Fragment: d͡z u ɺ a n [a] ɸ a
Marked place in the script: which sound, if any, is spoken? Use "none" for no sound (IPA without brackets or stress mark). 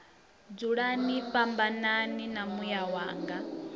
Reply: i